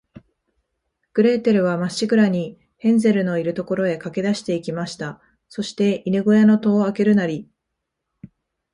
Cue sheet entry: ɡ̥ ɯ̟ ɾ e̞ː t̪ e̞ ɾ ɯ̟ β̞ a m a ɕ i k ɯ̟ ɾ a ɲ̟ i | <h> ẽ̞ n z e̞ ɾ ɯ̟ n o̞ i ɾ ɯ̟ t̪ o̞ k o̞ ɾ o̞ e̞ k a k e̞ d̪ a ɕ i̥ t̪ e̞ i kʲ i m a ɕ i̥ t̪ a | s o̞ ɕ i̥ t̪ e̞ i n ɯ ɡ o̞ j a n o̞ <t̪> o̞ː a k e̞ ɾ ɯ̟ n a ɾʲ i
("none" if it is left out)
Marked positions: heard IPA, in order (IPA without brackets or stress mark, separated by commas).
h, t̪